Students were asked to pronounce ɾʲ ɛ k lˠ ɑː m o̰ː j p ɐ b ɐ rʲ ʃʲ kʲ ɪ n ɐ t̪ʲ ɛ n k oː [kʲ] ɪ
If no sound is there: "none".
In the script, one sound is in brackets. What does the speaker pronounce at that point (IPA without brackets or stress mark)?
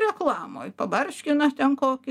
kʲ